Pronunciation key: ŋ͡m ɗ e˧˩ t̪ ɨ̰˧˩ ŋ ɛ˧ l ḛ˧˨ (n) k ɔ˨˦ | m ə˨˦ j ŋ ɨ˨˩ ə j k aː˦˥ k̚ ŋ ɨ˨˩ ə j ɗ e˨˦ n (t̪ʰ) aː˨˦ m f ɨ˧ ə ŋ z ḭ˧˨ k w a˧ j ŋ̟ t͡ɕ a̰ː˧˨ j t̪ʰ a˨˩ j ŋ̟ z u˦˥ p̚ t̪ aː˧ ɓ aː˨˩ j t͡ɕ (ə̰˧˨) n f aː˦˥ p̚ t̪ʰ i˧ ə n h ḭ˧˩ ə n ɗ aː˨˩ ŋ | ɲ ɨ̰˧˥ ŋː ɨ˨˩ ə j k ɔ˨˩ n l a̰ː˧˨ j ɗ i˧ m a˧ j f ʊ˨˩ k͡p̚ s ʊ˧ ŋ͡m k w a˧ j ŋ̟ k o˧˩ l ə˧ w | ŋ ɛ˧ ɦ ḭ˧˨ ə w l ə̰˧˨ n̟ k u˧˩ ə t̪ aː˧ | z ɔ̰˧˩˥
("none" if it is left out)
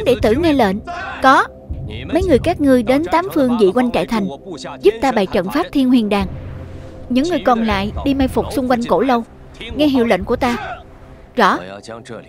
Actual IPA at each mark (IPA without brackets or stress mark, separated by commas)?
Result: n, t̪, ə̰˧˨